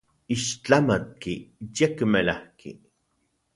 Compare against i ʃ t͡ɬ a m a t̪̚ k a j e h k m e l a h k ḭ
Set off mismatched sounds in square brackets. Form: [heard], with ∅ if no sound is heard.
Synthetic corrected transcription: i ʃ t͡ɬ a m a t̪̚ k [i] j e [∅] k m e l a h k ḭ